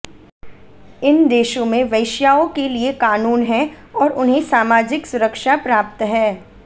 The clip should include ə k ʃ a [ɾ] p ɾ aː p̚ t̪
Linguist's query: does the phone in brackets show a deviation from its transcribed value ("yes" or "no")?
yes